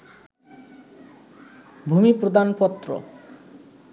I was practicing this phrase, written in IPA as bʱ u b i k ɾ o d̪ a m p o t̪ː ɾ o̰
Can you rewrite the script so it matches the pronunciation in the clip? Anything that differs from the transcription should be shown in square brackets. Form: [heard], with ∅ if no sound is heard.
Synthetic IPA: bʱ u [m] i [p] ɾ o d̪ a [n] p [ɔ] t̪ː ɾ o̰

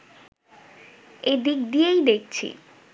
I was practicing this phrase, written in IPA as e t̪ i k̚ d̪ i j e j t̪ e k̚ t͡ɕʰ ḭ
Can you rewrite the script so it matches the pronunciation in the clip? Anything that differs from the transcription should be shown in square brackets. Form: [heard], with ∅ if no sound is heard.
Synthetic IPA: e [d̪] i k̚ d̪ i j e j [d̪] e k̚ t͡ɕʰ ḭ

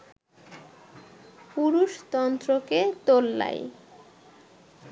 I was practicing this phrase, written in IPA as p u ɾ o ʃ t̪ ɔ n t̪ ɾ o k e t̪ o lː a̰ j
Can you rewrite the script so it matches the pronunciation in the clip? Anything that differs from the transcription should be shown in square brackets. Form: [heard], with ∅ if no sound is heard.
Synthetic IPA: p u ɾ [u] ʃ t̪ ɔ n t̪ ɾ o k e t̪ o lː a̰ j

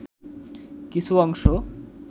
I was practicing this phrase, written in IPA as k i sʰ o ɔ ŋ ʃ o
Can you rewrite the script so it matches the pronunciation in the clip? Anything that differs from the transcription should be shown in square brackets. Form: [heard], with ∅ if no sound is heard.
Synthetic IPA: k i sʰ [u] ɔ ŋ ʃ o

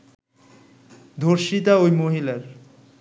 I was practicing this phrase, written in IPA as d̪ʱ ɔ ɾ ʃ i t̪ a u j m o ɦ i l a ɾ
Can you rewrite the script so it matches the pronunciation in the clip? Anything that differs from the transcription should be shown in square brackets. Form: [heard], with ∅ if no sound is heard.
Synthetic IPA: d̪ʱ [o] ɾ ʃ i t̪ a [o] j m o ɦ i l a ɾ

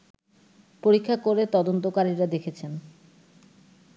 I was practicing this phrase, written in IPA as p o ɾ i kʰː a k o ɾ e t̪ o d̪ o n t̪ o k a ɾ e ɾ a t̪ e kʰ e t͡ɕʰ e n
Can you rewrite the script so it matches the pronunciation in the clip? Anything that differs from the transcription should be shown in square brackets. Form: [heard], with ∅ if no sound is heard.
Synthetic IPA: p o ɾ i kʰː a k o ɾ e t̪ [ɔ] d̪ o n t̪ o k a ɾ [i] ɾ a [d̪] e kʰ e t͡ɕʰ e n

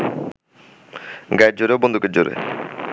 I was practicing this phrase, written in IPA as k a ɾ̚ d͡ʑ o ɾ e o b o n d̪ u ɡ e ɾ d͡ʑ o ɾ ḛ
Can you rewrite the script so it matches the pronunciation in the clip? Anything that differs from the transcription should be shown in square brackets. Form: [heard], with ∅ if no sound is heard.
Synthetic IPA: [ɡ] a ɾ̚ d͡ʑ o ɾ e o b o n d̪ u [k] e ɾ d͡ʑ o ɾ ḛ

